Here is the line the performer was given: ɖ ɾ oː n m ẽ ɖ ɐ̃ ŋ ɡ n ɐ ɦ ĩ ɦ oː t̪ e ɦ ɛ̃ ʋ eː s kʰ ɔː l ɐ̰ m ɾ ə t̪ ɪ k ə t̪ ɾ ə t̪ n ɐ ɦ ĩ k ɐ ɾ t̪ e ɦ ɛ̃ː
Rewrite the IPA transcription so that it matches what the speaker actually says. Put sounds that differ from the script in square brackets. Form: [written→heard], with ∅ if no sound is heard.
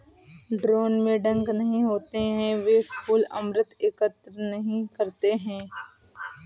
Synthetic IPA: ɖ ɾ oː n m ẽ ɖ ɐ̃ ŋ ɡ n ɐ ɦ ĩ ɦ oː t̪ e ɦ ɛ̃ ʋ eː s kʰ [ɔː→uː] l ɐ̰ m ɾ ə t̪ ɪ k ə t̪ ɾ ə [t̪→∅] n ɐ ɦ ĩ k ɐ ɾ t̪ e ɦ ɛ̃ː